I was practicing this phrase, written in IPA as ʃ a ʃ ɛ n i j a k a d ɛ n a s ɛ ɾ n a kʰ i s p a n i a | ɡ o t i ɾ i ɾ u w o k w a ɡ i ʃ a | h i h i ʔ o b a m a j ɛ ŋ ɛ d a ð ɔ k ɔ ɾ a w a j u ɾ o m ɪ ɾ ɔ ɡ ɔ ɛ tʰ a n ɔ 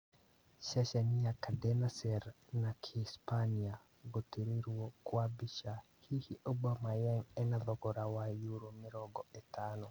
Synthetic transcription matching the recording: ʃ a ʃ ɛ n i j a k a d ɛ n a s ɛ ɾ n a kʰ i s p a n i a | ɡ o t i ɾ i ɾ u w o k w a b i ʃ a | h i h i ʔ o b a m a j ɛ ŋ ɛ n a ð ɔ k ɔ ɾ a w a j u ɾ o m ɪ ɾ ɔ ɡ ɔ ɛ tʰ a n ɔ